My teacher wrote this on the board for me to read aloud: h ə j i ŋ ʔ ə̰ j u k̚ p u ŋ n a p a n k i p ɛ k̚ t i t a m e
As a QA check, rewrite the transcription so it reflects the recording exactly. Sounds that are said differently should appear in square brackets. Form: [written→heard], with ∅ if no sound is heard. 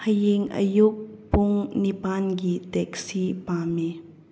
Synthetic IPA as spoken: h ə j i ŋ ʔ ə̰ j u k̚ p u ŋ n [a→i] p a n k i [p→t] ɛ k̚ [t→s] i [t→p] a m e